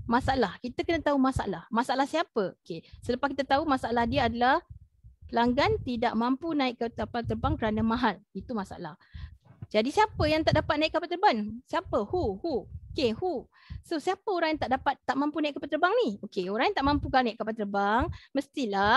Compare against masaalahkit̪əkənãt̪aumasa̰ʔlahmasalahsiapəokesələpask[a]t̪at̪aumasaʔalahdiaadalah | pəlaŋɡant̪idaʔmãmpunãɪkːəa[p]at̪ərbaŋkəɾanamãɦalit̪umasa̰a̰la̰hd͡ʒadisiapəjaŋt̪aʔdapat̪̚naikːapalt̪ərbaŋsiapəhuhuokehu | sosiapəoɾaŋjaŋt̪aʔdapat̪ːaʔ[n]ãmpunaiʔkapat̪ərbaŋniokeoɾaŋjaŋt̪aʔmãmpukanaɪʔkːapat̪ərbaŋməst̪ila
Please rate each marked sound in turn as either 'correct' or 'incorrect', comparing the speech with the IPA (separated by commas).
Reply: incorrect, correct, incorrect